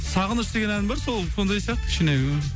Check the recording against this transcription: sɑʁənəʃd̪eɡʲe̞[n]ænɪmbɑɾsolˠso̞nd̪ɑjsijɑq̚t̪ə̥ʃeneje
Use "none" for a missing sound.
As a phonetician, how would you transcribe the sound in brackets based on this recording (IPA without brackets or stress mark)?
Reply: n